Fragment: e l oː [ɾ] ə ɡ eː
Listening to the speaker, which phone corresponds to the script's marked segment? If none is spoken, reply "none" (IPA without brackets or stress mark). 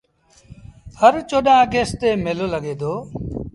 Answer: l